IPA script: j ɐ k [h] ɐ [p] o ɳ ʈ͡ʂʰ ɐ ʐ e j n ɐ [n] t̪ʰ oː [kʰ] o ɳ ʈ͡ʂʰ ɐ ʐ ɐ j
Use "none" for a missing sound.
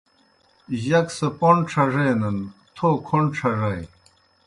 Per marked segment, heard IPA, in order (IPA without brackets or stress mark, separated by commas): s, p, n, kʰ